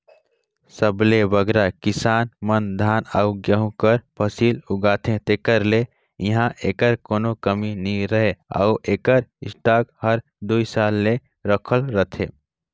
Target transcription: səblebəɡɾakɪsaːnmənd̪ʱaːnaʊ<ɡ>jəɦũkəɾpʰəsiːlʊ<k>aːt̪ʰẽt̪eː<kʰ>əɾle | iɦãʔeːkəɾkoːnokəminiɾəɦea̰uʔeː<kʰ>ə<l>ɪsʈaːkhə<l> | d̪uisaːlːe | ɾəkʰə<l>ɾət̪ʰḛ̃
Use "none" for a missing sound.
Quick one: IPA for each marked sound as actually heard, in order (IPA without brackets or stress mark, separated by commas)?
ɡ, ɡ, k, k, ɾ, ɾ, l